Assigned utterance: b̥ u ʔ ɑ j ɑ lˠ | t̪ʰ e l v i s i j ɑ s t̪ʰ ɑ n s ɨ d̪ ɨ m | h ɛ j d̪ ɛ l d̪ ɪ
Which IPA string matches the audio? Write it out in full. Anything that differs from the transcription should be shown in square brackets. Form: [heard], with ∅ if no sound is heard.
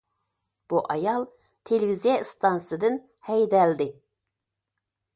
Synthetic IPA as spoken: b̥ u ʔ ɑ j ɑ lˠ | t̪ʰ e l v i [z] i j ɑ s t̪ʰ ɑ n s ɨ d̪ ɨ [n] | h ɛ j d̪ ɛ l d̪ ɪ